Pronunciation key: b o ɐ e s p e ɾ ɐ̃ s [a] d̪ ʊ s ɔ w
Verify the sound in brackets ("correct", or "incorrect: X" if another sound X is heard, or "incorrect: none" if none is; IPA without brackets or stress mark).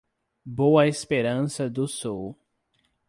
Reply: incorrect: ɐ